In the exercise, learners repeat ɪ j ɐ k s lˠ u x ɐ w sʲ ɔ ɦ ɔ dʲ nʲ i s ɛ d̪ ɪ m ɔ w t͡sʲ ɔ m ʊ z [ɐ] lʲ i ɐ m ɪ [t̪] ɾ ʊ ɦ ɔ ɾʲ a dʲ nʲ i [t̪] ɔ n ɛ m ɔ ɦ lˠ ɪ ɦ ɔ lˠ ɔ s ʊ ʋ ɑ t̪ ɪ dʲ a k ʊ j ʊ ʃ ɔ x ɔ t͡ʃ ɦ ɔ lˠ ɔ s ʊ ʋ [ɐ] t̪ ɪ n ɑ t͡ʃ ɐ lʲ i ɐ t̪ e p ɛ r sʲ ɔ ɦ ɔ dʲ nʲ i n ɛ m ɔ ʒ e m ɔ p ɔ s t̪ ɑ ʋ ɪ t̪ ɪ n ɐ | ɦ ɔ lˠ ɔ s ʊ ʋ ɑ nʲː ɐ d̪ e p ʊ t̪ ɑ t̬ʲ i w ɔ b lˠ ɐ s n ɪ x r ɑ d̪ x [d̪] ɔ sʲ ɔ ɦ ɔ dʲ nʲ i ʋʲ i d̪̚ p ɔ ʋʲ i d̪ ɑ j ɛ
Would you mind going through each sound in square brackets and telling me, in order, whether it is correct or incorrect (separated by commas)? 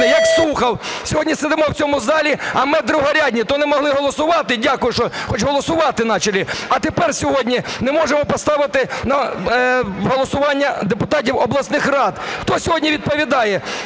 incorrect, incorrect, correct, incorrect, incorrect